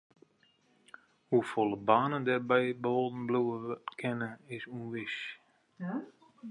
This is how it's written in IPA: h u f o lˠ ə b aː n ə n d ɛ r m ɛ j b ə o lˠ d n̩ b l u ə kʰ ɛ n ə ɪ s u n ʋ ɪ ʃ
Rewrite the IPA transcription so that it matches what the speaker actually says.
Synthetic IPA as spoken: h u f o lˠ ə b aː n ə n d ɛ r b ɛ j b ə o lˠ d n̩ b l u ə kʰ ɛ n ə ɪ s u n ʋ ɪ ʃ